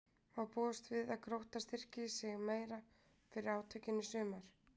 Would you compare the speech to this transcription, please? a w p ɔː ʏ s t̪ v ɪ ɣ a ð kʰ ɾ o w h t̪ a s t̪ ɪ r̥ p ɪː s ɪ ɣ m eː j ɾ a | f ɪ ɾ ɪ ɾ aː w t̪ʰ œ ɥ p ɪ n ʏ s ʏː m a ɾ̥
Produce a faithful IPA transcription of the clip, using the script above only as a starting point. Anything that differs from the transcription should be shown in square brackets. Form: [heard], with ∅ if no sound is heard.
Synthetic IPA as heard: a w p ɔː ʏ s t̪ v ɪ [ð] a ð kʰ ɾ o w h t̪ a s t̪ ɪ r̥ [c] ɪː s ɪ ɣ m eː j ɾ a | f ɪ ɾ ɪ ɾ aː w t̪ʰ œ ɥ [c] ɪ n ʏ s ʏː m a ɾ̥